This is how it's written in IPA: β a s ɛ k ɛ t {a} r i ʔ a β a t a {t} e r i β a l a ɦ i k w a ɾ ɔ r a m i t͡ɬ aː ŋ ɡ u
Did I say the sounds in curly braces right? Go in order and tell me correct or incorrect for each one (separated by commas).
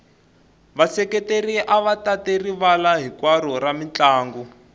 incorrect, correct